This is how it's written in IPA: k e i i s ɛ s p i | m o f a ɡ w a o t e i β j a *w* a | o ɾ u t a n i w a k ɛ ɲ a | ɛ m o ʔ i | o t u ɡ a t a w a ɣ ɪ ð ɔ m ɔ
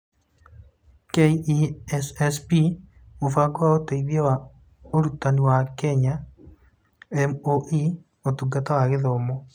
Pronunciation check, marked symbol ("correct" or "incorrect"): correct